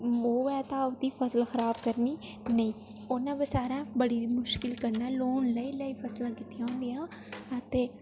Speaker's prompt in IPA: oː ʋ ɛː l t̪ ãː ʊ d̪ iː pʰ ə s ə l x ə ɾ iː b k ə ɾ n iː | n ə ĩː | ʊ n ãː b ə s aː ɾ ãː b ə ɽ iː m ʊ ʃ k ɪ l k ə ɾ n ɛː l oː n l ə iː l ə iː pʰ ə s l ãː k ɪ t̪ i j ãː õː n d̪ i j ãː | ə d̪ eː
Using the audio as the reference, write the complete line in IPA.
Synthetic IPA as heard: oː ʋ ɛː t̪ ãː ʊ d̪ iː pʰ ə s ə l x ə ɾ aː b k ə ɾ n iː | n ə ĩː | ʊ n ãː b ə s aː ɾ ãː b ə ɽ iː m ʊ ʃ k ɪ l k ə ɾ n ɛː l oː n l ə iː l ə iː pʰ ə s l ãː k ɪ t̪ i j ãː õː n d̪ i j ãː | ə t̪ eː